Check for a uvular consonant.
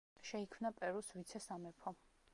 absent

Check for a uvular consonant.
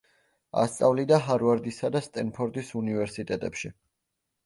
absent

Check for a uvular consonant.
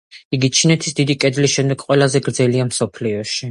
present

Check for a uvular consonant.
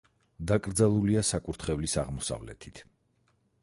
present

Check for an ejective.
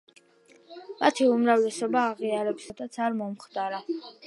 absent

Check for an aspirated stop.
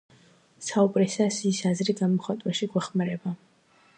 absent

